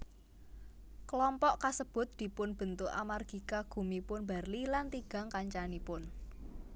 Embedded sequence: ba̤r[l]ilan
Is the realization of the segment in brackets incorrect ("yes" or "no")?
no